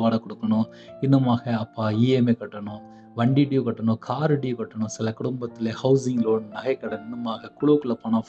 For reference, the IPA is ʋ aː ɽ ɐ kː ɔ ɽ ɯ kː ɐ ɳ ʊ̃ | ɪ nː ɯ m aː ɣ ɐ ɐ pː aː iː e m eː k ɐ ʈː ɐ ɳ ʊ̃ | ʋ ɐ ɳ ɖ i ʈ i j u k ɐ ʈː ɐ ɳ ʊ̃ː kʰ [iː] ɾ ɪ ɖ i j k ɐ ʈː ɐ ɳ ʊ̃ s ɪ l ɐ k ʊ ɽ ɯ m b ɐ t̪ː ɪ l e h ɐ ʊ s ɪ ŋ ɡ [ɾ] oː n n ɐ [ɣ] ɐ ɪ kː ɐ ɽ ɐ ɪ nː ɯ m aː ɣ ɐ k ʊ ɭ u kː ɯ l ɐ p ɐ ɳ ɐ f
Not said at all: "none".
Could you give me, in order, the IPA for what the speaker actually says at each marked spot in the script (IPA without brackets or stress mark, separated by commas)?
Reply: aː, l, ɣ